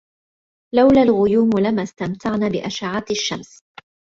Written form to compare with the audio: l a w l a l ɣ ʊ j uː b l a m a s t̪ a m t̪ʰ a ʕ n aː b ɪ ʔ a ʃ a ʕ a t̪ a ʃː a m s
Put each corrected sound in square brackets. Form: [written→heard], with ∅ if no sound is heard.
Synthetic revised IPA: l a w l a l ɣ ʊ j uː [b→m] l a m a s t̪ a m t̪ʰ a ʕ n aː b ɪ ʔ a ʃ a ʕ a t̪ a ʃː a m s